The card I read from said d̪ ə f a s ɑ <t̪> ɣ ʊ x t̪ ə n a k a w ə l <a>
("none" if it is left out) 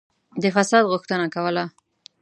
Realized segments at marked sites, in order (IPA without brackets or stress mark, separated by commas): d̪, a